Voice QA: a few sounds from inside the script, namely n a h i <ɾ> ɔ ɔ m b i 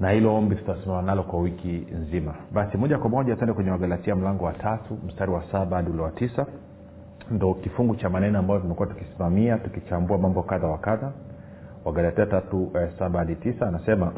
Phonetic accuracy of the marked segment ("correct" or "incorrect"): incorrect